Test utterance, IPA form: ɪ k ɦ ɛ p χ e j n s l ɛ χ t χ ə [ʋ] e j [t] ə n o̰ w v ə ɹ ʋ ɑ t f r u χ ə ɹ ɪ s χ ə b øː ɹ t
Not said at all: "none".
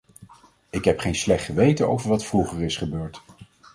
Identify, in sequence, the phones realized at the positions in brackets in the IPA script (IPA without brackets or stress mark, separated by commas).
ʋ, t